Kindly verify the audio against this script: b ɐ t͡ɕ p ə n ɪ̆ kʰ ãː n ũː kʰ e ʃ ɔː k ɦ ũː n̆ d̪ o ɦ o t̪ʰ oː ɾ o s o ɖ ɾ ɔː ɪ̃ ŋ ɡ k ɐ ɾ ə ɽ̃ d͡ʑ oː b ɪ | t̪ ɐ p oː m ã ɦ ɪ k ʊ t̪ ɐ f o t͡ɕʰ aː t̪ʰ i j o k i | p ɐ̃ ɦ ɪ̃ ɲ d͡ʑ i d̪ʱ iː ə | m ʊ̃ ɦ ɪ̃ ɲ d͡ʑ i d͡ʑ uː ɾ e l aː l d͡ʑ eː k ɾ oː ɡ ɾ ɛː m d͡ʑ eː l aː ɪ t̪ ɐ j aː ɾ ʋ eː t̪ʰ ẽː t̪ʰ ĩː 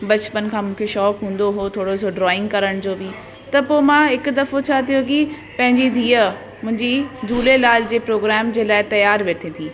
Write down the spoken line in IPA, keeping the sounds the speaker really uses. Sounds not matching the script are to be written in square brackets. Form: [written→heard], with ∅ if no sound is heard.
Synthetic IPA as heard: b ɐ t͡ɕ p ə n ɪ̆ kʰ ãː [n→m] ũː kʰ e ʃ ɔː k ɦ ũː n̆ d̪ o ɦ o t̪ʰ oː [ɾ→ɽ] o s o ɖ ɾ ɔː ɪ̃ ŋ ɡ k ɐ ɾ ə ɽ̃ d͡ʑ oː b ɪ | t̪ ɐ p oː m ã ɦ ɪ k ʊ [t̪→d̪] ɐ f o t͡ɕʰ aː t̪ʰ i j o k i | p ɐ̃ ɦ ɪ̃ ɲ d͡ʑ i d̪ʱ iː ə | m ʊ̃ ɦ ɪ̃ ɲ d͡ʑ i d͡ʑ uː [ɾ→l] e l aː l d͡ʑ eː [k→p] ɾ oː ɡ ɾ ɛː m d͡ʑ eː l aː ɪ t̪ ɐ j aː ɾ ʋ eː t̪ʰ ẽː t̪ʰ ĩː

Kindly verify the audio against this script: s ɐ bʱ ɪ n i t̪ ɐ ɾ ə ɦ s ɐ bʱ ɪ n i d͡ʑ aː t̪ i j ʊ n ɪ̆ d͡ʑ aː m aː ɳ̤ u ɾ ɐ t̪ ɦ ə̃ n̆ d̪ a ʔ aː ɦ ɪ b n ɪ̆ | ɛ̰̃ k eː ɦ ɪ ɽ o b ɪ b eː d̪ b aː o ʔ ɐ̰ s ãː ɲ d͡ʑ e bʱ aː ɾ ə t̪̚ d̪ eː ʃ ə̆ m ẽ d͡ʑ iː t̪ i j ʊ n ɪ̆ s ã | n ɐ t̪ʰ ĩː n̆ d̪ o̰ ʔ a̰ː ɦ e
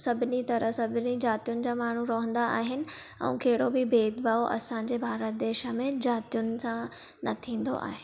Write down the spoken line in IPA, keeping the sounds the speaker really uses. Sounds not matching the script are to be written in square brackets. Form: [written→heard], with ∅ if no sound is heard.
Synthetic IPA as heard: s ɐ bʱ ɪ n i t̪ ɐ ɾ ə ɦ s ɐ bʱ ɪ n i d͡ʑ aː t̪ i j ʊ n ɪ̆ d͡ʑ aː m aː ɳ̤ u ɾ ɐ [t̪→∅] ɦ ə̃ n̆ d̪ a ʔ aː ɦ ɪ [b→∅] n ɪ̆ | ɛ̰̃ k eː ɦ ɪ ɽ o b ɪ b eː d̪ b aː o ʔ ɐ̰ s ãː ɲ d͡ʑ e bʱ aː ɾ ə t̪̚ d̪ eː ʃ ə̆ m ẽ d͡ʑ [iː→aː] t̪ i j ʊ n ɪ̆ s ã | n ɐ t̪ʰ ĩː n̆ d̪ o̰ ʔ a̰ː ɦ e

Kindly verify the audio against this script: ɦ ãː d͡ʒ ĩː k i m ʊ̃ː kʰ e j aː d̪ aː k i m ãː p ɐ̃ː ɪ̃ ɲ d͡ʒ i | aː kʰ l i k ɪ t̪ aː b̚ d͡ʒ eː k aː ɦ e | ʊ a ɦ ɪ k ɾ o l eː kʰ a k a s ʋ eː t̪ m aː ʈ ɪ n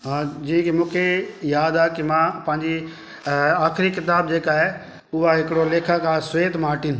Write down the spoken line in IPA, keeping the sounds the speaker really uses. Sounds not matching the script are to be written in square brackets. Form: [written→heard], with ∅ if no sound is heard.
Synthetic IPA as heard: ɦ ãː d͡ʒ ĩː k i m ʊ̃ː kʰ e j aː d̪ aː k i m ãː p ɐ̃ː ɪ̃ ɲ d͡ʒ i | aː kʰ [l→ɾ] i k ɪ t̪ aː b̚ d͡ʒ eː k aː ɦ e | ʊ a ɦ ɪ k [ɾ→ɽ] o l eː kʰ a k a s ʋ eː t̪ m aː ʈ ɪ n

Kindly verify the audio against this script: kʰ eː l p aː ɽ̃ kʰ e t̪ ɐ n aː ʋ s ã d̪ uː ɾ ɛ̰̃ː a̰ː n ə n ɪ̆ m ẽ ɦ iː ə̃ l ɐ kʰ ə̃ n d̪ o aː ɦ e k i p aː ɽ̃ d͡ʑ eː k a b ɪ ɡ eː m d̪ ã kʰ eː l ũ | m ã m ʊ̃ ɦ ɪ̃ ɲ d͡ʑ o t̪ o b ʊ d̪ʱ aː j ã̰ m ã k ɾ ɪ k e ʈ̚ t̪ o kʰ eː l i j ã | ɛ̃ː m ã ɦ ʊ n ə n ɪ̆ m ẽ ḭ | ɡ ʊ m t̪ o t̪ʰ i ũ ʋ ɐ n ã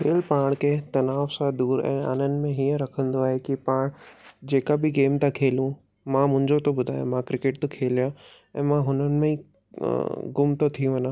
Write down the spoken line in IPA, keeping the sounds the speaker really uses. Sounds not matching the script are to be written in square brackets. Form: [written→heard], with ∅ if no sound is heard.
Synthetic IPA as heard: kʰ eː l p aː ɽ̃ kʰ e t̪ ɐ n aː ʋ s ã d̪ uː ɾ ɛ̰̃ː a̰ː n ə n ɪ̆ m ẽ ɦ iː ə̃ [l→ɾ] ɐ kʰ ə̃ n d̪ o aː ɦ e k i p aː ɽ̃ d͡ʑ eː k a b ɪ ɡ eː m [d̪→t̪] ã kʰ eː l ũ | m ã m ʊ̃ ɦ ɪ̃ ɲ d͡ʑ o t̪ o b ʊ d̪ʱ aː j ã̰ m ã k ɾ ɪ k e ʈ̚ t̪ o kʰ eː l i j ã | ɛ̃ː m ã ɦ ʊ n ə n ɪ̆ m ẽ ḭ | ɡ ʊ m t̪ o t̪ʰ i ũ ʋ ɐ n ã

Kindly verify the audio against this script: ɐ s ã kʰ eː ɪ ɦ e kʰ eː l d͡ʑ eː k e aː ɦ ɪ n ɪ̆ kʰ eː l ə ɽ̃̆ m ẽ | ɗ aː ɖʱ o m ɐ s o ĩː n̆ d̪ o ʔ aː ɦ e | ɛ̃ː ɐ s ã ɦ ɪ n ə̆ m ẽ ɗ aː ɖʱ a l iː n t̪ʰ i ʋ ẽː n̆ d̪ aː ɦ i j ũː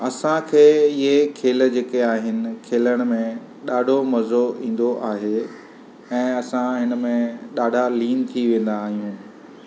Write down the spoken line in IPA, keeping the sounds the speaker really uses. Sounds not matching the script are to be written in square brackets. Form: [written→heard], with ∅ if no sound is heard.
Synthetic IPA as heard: ɐ s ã kʰ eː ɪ ɦ e kʰ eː l d͡ʑ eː k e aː ɦ ɪ n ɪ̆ kʰ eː l ə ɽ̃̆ m ẽ | ɗ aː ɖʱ o m ɐ [s→z] o ĩː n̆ d̪ o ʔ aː ɦ e | ɛ̃ː ɐ s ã ɦ ɪ n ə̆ m ẽ ɗ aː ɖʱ a l iː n t̪ʰ i ʋ ẽː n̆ d̪ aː ɦ i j ũː

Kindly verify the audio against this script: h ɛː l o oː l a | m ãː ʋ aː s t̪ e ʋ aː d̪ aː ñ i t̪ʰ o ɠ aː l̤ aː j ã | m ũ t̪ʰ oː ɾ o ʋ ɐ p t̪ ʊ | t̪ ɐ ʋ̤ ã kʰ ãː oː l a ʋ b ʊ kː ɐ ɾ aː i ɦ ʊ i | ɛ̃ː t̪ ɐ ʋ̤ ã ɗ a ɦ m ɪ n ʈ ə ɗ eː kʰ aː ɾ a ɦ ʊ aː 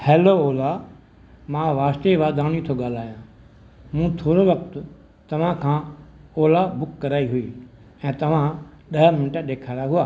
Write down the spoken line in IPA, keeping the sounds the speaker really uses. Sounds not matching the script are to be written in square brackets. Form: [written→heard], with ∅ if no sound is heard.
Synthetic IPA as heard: h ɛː l o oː l a | m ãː ʋ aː s t̪ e ʋ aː d̪ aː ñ i t̪ʰ o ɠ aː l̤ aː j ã | m ũ t̪ʰ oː ɾ o ʋ ɐ [p→k] t̪ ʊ | t̪ ɐ ʋ̤ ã kʰ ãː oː l a [ʋ→∅] b ʊ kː ɐ ɾ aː i ɦ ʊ i | ɛ̃ː t̪ ɐ ʋ̤ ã ɗ [a→ɐ] ɦ m ɪ n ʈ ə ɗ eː kʰ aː ɾ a ɦ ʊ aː

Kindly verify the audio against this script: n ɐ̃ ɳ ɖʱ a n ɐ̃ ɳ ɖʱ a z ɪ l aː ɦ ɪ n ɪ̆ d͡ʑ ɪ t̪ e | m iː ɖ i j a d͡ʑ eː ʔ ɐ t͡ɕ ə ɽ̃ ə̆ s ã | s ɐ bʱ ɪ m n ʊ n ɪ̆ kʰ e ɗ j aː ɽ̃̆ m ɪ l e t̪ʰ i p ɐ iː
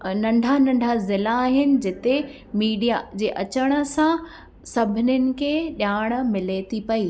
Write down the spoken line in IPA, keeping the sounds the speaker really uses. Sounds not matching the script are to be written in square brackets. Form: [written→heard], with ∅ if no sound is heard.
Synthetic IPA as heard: n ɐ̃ ɳ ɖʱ a n ɐ̃ ɳ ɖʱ a z ɪ l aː ɦ ɪ n ɪ̆ d͡ʑ ɪ t̪ e | m iː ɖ i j a d͡ʑ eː ʔ ɐ t͡ɕ ə ɽ̃ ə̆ s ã | s ɐ bʱ ɪ [m→∅] n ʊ n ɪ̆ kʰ e ɗ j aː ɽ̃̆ m ɪ l e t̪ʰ i p ɐ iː

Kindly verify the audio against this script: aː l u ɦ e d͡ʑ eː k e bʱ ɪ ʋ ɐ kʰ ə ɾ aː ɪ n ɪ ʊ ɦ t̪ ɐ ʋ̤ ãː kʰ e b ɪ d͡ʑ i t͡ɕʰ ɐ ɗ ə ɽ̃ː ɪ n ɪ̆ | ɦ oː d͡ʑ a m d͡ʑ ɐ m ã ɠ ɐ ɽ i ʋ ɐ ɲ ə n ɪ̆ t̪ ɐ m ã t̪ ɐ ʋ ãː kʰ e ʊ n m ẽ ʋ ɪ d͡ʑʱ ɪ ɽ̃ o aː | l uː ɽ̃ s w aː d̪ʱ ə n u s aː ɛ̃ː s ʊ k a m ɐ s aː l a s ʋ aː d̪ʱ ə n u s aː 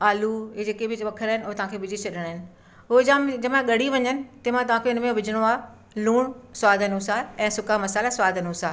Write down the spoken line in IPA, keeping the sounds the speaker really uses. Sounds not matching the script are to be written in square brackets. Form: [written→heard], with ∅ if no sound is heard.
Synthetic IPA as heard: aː l u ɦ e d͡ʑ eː k e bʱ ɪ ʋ ɐ kʰ ə ɾ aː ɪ n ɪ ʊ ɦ t̪ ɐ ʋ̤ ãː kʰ e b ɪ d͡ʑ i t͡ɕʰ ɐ ɗ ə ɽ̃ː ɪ n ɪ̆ | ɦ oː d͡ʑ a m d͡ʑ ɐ m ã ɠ ɐ ɽ i ʋ ɐ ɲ ə n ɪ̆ t̪ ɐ m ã t̪ ɐ ʋ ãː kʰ e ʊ n m ẽ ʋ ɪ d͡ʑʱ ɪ ɽ̃ o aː | l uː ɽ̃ s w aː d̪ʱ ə n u s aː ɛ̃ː s ʊ k a m ɐ s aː l a s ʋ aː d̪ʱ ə n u s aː

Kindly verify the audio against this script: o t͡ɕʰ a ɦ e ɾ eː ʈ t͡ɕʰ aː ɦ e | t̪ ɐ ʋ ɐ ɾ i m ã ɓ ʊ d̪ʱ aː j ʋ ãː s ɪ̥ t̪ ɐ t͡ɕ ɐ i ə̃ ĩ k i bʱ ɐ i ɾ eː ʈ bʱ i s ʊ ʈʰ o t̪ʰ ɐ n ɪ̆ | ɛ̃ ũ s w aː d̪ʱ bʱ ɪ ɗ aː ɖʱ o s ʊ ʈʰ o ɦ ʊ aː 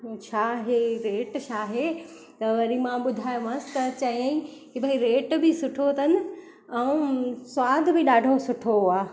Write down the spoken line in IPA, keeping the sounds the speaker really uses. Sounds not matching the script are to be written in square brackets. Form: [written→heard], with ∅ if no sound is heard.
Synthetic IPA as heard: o t͡ɕʰ a ɦ e ɾ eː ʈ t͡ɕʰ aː ɦ e | t̪ ɐ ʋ ɐ ɾ i m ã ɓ ʊ d̪ʱ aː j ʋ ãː s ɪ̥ t̪ ɐ t͡ɕ ɐ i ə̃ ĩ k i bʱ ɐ i ɾ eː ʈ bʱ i s ʊ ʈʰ o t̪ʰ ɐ n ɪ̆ | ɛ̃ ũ s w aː d̪ʱ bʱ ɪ ɗ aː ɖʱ o s ʊ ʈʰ o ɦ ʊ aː

